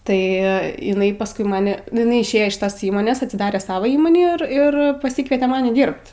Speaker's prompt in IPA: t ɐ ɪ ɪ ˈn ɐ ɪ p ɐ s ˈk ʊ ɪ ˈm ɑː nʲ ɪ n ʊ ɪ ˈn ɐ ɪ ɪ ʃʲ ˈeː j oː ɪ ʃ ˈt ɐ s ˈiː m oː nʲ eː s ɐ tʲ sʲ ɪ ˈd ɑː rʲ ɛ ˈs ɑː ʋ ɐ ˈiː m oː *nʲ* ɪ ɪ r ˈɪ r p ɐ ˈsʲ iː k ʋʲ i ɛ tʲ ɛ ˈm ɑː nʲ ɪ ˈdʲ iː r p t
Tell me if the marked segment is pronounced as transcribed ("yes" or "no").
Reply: yes